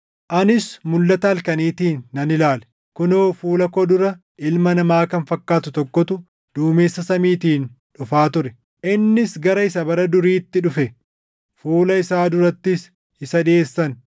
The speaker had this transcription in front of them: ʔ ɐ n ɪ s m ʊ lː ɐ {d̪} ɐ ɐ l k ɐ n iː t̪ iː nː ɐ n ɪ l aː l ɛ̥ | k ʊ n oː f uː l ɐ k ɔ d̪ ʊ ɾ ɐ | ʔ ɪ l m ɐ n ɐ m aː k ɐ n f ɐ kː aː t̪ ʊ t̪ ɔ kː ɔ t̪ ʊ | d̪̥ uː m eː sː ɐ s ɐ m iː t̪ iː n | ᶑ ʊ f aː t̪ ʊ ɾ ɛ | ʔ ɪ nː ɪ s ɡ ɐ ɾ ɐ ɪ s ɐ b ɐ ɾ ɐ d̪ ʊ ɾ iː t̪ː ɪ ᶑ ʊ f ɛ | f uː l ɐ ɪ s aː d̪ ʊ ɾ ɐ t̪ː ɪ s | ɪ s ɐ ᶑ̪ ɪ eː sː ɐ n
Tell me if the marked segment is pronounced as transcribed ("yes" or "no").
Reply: no